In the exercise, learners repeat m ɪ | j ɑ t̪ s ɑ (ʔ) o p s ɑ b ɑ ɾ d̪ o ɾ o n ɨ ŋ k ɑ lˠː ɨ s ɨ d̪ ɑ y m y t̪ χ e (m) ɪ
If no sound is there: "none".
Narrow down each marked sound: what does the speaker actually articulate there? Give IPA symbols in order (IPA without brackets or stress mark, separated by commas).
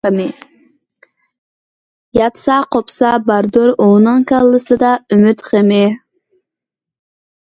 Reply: q, m